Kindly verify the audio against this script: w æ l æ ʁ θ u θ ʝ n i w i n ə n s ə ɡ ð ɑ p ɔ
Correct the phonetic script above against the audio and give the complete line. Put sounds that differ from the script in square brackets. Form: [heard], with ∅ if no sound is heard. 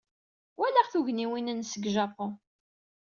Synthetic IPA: w æ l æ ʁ θ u [∅] ʝ n i w i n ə n s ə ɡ [ʒ] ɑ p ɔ